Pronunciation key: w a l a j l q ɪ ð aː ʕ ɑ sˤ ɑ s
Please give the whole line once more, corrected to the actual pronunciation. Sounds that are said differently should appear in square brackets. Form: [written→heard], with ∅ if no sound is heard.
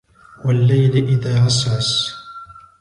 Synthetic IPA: w a [l→lː] a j l [q→ʔ] ɪ ð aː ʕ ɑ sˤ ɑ s